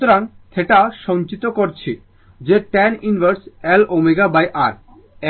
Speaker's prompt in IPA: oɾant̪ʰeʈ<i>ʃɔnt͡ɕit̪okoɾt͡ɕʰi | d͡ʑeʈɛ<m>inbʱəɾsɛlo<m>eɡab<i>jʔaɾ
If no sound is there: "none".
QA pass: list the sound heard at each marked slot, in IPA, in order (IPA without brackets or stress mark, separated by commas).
a, n, m, a